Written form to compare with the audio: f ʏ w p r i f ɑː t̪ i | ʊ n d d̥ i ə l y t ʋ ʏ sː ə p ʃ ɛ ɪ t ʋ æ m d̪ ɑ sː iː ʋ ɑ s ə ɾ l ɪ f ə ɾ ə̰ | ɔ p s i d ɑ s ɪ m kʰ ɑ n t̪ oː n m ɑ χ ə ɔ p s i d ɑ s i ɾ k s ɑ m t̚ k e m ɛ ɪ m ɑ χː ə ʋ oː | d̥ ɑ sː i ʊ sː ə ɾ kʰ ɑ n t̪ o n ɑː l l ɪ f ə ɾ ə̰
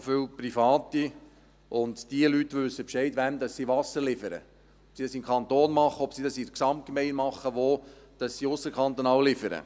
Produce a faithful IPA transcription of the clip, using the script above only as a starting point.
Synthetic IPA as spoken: f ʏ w p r i f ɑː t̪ i | ʊ n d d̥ i ə l y t ʋ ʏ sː ə p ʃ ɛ ɪ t ʋ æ m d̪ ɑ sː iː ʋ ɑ s ə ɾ l ɪ f ə ɾ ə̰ | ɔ p s i d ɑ s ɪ m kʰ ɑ n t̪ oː n m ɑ χ ə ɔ p s i d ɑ s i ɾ k s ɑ m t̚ k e m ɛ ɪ m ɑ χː ə ʋ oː | d̥ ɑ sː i ʊ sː ə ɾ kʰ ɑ n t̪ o n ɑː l l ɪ f ə ɾ ə̰